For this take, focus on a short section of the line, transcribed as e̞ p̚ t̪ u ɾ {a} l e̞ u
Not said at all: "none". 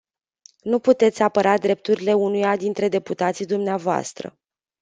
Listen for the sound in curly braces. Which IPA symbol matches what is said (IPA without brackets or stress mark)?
i